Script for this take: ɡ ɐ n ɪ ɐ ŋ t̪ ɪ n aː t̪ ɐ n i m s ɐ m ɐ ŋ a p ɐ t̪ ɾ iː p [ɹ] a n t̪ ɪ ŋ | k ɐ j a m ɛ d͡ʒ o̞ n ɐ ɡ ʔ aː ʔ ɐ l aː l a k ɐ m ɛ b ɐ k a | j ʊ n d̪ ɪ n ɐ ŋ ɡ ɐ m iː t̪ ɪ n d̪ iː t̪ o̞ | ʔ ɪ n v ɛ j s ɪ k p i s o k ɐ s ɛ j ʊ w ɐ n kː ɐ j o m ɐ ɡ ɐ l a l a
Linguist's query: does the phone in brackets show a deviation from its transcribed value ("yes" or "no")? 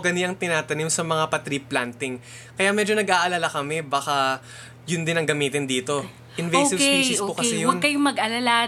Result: yes